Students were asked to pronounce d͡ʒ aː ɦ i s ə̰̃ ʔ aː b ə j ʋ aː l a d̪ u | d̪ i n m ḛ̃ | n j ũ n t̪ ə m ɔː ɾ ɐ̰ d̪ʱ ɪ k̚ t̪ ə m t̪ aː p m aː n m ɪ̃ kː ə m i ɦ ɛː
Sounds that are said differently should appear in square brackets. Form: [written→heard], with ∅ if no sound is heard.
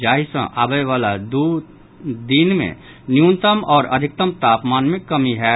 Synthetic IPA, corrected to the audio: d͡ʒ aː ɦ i s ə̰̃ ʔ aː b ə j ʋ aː l a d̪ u | d̪ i n m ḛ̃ | n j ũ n t̪ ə m ɔː ɾ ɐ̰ d̪ʱ ɪ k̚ t̪ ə m t̪ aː p m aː n m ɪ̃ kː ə m i ɦ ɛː

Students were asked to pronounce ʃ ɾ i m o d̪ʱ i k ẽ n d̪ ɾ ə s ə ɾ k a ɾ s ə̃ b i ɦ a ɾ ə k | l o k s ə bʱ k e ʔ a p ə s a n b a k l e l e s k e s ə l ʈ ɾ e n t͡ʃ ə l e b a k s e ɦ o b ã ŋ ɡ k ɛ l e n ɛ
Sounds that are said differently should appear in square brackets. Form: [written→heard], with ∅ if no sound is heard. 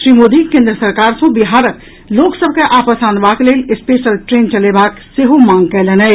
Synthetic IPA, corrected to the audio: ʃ ɾ i m o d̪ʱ i k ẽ n d̪ ɾ ə s ə ɾ k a ɾ s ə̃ b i ɦ a ɾ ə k | l o k s ə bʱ k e ʔ a p ə s a n b a k l e l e s [k→p] e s ə l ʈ ɾ e n t͡ʃ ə l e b a k s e ɦ o [b→m] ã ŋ ɡ k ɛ l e n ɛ

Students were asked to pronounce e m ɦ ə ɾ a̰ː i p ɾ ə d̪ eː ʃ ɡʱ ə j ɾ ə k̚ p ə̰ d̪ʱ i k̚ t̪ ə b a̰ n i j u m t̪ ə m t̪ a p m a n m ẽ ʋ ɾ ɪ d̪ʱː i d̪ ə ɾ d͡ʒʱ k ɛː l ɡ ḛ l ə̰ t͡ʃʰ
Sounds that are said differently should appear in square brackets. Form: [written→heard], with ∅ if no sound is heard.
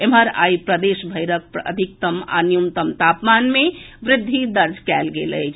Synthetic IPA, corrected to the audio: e m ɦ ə ɾ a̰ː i p ɾ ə d̪ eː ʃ [ɡʱ→bʱ] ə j ɾ ə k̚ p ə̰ d̪ʱ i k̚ t̪ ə [b→m] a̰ n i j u m t̪ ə m t̪ a p m a n m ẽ ʋ ɾ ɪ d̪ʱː i d̪ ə ɾ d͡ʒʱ k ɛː l ɡ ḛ l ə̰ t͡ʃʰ

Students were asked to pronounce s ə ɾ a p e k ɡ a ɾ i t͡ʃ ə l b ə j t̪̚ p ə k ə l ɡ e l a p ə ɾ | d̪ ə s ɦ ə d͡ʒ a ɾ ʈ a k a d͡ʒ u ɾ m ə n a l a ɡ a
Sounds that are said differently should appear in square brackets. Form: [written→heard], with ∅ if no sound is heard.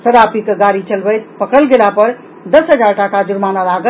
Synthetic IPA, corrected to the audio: s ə ɾ a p [e→i] k ɡ a ɾ i t͡ʃ ə l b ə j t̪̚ p ə k ə l ɡ e l a p ə ɾ | d̪ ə s ɦ ə d͡ʒ a ɾ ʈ a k a d͡ʒ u ɾ m [ə→a] n a l a ɡ [a→ə]

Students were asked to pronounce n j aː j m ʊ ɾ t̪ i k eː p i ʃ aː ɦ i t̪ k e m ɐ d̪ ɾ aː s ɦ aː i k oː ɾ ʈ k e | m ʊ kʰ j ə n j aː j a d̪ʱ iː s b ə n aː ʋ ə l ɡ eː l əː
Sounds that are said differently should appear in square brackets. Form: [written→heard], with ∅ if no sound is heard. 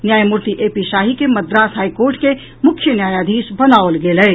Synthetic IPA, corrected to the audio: n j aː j m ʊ ɾ t̪ i [k→ʔ] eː p i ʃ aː ɦ i [t̪→∅] k e m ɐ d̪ ɾ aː s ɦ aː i k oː ɾ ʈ k e | m ʊ kʰ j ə n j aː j a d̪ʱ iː s b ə n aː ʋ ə l ɡ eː l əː

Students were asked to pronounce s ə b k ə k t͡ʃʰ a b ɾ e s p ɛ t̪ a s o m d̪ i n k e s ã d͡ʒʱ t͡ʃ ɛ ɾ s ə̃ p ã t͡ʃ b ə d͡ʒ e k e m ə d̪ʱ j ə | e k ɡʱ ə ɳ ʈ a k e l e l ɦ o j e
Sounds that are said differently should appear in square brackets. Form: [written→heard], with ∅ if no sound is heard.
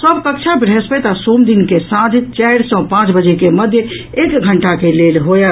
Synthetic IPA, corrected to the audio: s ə b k ə k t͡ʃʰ a b ɾ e s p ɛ t̪ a s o m d̪ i n k e s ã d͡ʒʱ t͡ʃ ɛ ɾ s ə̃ p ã t͡ʃ b ə d͡ʒ e k e m ə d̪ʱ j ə | e k ɡʱ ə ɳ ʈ a k e l e l ɦ o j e

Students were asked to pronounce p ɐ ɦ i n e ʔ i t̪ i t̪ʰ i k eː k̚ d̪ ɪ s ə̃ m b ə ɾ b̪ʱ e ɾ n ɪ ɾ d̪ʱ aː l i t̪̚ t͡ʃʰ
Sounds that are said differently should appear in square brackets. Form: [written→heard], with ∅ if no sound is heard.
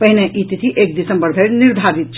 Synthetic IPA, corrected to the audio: p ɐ ɦ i n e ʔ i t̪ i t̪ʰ i [k→ʔ] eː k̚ d̪ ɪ s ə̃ m b ə ɾ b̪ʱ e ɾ n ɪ ɾ d̪ʱ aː [l→ɾ] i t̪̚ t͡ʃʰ

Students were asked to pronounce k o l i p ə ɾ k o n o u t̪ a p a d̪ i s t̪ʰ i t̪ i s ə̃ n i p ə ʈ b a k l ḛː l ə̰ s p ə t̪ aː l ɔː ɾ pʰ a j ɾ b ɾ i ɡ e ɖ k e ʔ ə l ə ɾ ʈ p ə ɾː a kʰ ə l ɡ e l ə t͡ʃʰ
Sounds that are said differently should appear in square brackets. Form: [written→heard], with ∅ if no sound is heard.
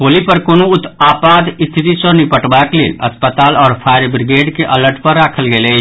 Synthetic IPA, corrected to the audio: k o l i p ə ɾ k o n o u t̪ a p a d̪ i s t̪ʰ i t̪ i s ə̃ n i p ə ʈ b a k l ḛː l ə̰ s p ə t̪ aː l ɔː ɾ pʰ a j ɾ b ɾ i ɡ e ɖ k e ʔ ə l ə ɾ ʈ p ə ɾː a kʰ ə l ɡ e l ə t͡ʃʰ

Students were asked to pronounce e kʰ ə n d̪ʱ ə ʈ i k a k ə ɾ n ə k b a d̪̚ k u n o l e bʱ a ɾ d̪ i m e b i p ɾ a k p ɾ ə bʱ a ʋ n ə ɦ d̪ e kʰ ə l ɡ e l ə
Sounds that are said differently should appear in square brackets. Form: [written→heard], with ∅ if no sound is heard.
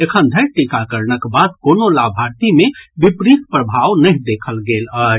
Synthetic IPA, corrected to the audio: e kʰ ə n d̪ʱ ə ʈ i k a k ə ɾ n ə k b a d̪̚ k [u→o] n o l [e→a] bʱ a ɾ [d̪→t̪] i m e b i p ɾ [a→i] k p ɾ ə bʱ a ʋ n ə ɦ d̪ e kʰ ə l ɡ e l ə

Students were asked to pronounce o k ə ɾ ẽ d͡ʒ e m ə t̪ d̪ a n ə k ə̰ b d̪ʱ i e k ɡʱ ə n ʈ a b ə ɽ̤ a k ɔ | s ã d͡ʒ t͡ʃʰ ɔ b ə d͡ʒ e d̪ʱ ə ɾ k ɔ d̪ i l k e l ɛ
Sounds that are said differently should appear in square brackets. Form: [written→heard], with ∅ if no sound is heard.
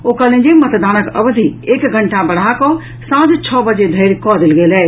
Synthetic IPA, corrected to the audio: o k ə [ɾ→l] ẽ d͡ʒ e m ə t̪ d̪ a n ə k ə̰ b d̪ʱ i e k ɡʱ ə [n→ɳ] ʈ a b ə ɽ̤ a k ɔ | s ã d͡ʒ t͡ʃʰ ɔ b ə d͡ʒ e d̪ʱ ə ɾ k ɔ d̪ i l [k→ɡ] e l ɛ

